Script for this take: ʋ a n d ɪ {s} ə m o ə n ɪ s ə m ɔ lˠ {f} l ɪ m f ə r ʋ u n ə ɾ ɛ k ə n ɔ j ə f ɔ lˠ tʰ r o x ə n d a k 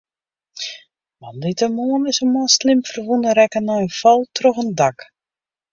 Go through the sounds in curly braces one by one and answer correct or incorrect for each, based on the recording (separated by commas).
incorrect, incorrect